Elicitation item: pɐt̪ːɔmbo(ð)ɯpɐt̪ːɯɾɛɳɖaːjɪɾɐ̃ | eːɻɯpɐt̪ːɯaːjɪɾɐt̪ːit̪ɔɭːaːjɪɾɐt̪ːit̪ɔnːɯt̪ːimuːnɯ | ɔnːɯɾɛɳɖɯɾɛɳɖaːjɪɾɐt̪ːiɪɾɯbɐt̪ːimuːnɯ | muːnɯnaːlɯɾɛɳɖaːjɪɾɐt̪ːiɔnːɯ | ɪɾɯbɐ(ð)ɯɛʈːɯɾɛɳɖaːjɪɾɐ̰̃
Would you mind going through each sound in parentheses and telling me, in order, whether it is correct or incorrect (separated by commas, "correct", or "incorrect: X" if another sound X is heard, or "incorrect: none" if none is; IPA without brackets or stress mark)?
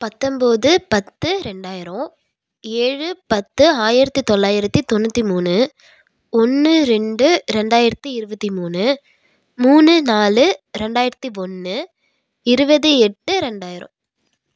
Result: correct, correct